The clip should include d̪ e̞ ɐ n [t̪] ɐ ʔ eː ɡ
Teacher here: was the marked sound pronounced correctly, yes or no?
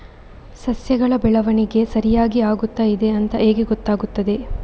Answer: yes